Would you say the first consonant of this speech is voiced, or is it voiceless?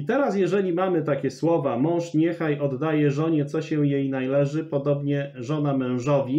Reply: voiceless